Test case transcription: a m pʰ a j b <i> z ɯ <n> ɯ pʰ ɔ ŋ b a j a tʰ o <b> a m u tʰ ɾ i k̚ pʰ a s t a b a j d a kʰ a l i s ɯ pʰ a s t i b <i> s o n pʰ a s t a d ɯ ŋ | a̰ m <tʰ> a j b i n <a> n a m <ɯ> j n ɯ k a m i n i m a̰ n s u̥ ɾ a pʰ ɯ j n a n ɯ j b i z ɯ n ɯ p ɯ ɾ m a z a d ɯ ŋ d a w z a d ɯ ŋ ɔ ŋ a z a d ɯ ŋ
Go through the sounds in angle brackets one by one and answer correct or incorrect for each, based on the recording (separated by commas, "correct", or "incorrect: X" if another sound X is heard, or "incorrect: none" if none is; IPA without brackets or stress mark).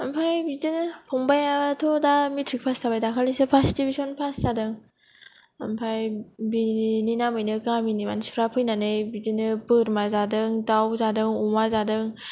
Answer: correct, correct, incorrect: d, correct, incorrect: pʰ, incorrect: i, correct